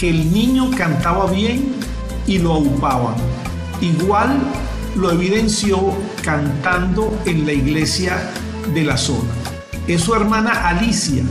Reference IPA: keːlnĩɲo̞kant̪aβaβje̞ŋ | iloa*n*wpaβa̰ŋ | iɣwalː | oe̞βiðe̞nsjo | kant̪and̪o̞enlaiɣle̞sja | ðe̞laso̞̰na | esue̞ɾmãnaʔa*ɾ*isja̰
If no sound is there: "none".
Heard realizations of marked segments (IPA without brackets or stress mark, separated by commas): none, l